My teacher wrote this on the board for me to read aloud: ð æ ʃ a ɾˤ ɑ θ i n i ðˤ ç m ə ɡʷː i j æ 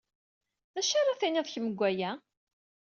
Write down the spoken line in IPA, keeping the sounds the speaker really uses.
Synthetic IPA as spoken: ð æ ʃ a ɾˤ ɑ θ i n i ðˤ ç m ə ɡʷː æ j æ